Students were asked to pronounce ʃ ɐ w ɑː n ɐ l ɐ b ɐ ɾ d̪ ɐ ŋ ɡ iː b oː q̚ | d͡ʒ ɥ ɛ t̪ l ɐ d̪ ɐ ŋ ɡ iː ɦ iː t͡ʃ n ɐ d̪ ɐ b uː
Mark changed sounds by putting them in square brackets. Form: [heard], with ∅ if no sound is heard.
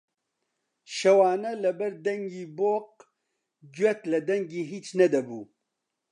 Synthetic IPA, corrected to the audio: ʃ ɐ w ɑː n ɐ l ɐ b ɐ ɾ d̪ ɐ ŋ ɡ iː b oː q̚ | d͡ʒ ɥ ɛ t̪ l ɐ d̪ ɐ ŋ ɡ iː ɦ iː t͡ʃ n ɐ d̪ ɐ b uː